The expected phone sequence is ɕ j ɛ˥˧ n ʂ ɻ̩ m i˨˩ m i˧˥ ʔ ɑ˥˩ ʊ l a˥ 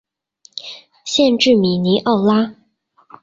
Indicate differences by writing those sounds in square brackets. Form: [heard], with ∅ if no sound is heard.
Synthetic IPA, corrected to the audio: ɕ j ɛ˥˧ n [ʈ͡ʂ] ɻ̩ m i˨˩ [n] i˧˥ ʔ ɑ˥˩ ʊ l a˥